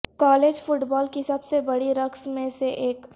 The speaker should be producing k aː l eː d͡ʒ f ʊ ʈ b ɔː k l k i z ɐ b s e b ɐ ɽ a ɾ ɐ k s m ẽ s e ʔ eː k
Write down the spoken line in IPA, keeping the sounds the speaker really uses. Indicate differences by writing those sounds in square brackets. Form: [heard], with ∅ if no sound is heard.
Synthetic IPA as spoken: k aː l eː d͡ʒ f ʊ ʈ b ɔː [∅] l k i [s] ɐ b s e b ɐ ɽ [i] ɾ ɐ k s m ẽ s e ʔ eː k